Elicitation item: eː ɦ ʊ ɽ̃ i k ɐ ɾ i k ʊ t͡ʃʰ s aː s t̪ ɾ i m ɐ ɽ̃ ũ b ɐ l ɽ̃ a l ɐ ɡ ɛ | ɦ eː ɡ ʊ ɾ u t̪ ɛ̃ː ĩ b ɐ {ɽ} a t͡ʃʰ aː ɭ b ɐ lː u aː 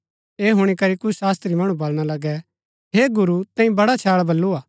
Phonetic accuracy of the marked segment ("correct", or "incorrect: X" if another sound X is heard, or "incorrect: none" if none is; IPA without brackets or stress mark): correct